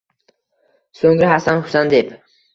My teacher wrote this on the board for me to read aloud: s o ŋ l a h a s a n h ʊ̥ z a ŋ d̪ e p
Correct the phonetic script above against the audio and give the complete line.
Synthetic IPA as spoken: s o ŋ ɾ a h a s a n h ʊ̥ s a n d̪ e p